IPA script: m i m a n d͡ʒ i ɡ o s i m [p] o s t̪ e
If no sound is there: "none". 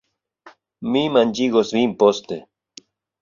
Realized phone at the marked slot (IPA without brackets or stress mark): p